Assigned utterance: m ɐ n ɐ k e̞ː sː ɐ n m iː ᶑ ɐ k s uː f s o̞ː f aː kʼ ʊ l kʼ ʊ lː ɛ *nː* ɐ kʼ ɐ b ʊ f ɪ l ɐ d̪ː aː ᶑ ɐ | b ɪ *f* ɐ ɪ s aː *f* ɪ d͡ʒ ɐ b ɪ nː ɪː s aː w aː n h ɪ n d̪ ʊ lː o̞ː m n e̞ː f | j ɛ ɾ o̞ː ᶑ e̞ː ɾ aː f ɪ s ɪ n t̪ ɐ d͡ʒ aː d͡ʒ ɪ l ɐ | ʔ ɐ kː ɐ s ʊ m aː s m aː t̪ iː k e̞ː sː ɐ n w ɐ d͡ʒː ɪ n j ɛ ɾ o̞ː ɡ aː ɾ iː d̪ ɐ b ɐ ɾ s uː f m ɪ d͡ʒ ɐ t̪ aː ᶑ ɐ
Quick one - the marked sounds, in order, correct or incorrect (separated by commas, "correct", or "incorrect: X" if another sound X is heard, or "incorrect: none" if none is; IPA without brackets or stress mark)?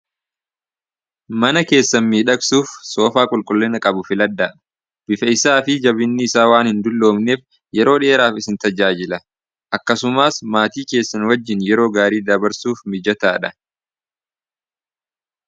incorrect: n, correct, correct